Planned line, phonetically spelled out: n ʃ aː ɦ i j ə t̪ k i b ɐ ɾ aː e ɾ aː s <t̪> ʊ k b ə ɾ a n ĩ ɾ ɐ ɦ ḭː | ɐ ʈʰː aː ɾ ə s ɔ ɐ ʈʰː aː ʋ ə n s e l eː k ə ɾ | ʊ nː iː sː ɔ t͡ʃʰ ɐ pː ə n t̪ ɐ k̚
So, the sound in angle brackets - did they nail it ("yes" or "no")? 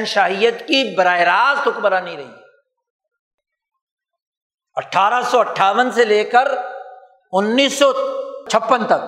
yes